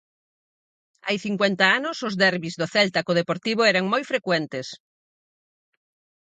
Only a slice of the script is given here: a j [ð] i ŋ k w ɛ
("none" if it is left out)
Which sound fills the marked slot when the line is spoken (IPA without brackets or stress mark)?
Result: θ